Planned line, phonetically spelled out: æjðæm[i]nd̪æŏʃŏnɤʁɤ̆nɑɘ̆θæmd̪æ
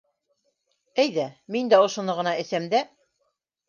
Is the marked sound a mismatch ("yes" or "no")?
no